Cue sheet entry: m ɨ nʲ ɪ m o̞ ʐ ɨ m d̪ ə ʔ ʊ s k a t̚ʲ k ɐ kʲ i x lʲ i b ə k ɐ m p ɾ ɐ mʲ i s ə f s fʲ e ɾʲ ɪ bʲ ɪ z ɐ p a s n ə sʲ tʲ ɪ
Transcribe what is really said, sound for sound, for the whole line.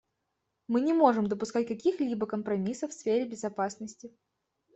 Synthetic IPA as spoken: m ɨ nʲ ɪ m o̞ ʐ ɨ m d̪ ə p ʊ s k a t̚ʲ k ɐ kʲ i x lʲ i b ə k ə m p ɾ ɐ mʲ i s ə f s fʲ e ɾʲ ɪ bʲ ɪ z ɐ p a s n ə sʲ tʲ ɪ